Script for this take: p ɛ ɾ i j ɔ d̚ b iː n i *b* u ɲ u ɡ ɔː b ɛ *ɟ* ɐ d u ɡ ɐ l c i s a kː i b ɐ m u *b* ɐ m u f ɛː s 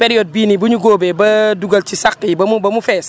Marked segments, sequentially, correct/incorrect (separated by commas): correct, incorrect, correct